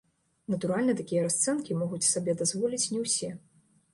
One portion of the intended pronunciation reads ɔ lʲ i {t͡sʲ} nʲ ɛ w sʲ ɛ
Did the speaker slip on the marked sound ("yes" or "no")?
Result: no